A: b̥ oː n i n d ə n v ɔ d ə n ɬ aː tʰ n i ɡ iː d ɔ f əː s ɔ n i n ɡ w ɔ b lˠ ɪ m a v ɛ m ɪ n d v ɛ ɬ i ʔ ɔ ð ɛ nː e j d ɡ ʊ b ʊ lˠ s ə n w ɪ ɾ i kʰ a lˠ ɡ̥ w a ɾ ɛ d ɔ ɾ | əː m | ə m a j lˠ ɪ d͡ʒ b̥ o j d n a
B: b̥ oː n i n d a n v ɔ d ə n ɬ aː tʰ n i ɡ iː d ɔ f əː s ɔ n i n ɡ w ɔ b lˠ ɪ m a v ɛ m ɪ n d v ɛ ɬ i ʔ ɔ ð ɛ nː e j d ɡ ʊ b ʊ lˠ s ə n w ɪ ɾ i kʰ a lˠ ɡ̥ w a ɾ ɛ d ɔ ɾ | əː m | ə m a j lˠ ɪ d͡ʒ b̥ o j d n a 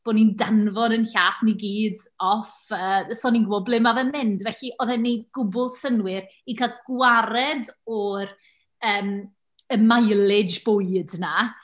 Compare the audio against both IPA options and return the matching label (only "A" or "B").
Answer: B